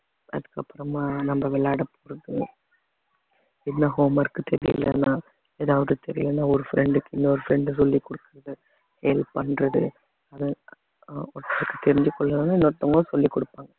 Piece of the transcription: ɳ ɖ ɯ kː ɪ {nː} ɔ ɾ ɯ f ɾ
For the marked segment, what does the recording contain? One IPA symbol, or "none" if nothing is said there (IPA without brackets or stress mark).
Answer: nː